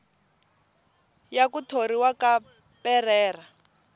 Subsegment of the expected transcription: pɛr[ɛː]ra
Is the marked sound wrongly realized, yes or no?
no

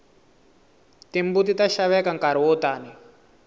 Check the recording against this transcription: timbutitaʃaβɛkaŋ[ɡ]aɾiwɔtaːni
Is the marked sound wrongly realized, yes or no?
yes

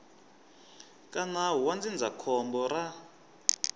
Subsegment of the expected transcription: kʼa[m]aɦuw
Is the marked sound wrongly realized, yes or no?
yes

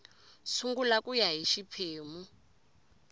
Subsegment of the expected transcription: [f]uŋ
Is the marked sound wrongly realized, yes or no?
yes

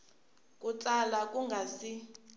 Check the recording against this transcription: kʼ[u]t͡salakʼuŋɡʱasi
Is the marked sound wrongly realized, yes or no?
no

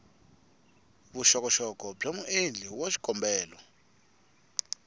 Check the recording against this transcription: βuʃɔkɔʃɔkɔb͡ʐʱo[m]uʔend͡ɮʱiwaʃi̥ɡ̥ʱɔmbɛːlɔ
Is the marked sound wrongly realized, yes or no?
no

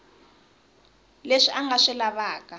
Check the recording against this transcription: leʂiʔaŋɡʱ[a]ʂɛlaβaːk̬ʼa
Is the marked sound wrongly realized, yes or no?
no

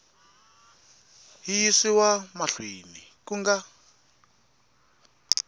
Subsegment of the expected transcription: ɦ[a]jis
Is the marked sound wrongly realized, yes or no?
yes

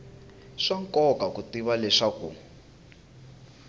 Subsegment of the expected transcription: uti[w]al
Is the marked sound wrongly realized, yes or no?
yes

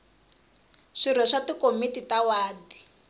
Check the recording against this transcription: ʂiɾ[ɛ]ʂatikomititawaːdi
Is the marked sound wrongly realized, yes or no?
no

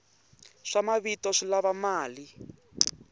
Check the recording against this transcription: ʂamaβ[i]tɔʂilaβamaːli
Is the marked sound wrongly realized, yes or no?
no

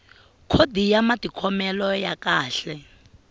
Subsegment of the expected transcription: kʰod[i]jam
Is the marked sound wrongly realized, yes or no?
no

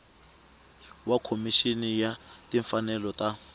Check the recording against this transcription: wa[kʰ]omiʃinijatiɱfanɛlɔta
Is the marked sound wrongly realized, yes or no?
no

